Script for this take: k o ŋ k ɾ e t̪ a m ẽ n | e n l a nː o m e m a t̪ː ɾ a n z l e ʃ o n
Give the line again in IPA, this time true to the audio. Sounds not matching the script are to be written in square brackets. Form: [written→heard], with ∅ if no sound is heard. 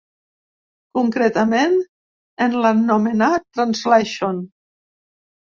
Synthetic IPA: k [o→u] ŋ k ɾ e t̪ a m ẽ n | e n l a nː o m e [m→n] a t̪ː ɾ a n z l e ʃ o n